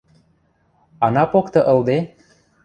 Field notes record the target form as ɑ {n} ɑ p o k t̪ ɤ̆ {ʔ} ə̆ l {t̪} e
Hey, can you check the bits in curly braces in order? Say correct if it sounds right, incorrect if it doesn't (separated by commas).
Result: correct, correct, incorrect